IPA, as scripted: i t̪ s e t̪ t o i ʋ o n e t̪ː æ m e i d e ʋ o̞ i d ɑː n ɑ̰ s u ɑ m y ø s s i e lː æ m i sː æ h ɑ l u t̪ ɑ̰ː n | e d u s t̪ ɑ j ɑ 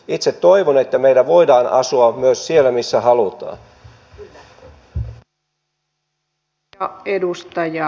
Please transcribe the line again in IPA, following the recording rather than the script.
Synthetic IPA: i t̪ s e t̪ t o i ʋ o n e t̪ː æ m e i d æ ʋ o̞ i d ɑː n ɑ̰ s u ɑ m y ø s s i e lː æ m i sː æ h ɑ l u t̪ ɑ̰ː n | e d u s t̪ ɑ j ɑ